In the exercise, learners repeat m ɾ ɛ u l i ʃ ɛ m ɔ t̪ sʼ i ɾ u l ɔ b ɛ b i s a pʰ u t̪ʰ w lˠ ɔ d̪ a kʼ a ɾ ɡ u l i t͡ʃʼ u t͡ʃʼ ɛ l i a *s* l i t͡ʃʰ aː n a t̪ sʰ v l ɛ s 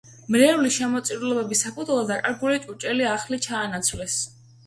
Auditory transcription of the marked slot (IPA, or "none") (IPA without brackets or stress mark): χ